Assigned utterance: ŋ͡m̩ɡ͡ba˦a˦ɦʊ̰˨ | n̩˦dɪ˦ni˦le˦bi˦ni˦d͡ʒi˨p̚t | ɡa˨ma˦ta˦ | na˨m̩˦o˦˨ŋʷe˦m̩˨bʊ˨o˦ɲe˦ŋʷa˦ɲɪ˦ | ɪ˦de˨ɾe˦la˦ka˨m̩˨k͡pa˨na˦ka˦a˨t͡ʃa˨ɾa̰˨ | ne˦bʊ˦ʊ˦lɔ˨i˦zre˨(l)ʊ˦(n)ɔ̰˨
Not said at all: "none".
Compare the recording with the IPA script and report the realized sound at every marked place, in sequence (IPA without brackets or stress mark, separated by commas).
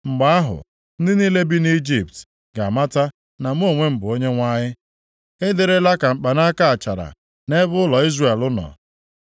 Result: l, n